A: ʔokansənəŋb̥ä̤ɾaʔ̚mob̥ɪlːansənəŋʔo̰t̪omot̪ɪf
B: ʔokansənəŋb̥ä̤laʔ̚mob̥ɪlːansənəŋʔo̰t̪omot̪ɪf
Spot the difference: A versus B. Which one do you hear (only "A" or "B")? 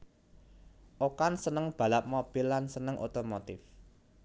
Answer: B